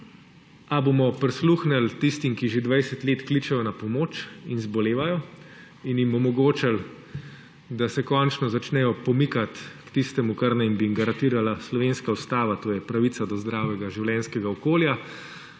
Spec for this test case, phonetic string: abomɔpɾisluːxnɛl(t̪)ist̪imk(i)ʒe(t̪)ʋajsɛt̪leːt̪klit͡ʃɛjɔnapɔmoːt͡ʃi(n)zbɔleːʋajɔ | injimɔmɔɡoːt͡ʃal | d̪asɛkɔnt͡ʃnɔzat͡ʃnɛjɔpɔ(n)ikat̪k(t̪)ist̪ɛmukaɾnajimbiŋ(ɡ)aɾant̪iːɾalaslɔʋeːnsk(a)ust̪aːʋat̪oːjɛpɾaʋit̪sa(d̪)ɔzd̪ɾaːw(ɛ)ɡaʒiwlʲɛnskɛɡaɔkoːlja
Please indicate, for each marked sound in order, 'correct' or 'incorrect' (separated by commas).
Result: correct, correct, incorrect, correct, incorrect, correct, correct, correct, correct, correct